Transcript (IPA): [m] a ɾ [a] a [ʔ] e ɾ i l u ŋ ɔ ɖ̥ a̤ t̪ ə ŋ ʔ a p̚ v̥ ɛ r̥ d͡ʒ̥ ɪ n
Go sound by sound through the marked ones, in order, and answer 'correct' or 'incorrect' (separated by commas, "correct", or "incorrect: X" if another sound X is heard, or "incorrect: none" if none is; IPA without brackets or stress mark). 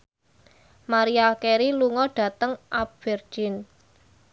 correct, incorrect: i, incorrect: k